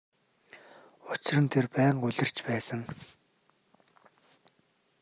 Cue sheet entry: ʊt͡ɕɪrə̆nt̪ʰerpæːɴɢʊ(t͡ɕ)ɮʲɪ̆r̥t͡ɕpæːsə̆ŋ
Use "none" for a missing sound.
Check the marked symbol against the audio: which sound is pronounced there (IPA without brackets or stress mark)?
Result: none